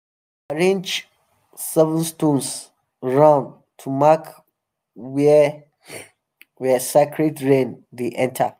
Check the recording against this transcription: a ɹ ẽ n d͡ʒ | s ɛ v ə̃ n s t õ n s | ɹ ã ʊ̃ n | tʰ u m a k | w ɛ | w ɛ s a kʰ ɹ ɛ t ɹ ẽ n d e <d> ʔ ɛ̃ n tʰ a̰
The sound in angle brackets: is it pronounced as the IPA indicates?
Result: no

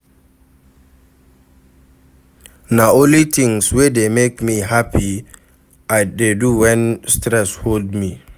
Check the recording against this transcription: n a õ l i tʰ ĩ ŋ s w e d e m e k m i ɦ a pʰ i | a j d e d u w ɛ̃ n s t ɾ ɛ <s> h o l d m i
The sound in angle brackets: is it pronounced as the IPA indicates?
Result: yes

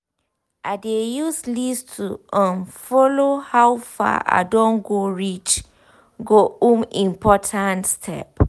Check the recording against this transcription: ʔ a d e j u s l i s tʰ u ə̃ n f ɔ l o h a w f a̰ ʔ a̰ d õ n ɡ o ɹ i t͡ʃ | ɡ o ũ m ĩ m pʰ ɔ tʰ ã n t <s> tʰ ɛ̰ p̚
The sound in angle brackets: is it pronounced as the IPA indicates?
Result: yes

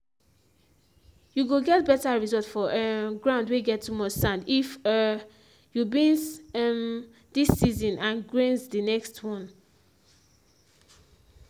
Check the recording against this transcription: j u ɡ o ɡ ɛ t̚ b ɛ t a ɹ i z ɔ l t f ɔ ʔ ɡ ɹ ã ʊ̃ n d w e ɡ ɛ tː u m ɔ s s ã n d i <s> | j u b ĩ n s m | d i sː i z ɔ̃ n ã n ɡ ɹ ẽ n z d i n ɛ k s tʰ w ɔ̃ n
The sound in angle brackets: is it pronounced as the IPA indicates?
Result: no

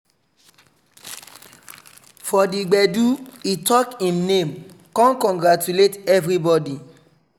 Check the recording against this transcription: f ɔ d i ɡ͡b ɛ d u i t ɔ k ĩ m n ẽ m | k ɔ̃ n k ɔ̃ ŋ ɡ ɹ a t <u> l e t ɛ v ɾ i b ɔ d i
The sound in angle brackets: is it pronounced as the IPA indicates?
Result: yes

